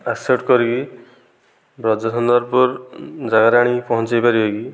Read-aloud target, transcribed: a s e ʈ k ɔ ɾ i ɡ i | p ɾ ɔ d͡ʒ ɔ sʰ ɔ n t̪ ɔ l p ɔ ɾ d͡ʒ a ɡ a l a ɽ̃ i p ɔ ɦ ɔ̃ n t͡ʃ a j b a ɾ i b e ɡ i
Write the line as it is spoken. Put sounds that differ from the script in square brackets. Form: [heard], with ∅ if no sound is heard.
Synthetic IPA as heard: a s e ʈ k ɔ ɾ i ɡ i | [b] ɾ ɔ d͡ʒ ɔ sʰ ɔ n [d̪] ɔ [ɾ] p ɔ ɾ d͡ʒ a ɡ a [ɾ] a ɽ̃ i p ɔ ɦ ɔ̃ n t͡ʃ a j [p] a ɾ i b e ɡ i